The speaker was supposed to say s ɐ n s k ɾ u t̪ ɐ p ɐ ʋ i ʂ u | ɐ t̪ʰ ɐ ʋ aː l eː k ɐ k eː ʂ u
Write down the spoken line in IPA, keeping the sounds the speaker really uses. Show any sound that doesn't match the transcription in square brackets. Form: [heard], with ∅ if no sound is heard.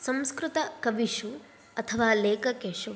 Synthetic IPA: s ɐ [m] s k ɾ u t̪ ɐ [k] ɐ ʋ i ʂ u | ɐ t̪ʰ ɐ ʋ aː l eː k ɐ k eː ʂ u